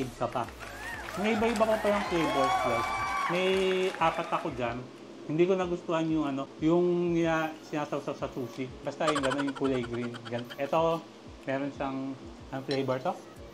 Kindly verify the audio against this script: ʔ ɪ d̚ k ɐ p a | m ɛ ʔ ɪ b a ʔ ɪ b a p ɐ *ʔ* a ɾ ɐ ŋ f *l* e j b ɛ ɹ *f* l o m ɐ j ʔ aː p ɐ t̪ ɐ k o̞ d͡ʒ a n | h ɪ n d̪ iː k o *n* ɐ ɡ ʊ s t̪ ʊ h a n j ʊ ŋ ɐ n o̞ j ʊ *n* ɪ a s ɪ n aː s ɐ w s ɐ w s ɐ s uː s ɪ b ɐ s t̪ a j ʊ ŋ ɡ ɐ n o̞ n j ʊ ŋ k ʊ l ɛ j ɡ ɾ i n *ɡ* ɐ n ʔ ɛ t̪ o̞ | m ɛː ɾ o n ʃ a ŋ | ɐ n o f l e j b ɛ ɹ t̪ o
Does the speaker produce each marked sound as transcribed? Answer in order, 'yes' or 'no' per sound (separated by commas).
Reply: no, yes, no, yes, no, yes